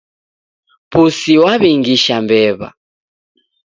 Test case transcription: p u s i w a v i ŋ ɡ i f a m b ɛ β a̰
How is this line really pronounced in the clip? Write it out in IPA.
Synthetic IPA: p u s i w a β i ŋ ɡ i ʃ a m b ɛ β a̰